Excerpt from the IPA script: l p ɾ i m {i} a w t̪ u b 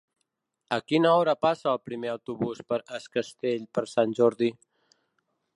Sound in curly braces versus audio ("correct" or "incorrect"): incorrect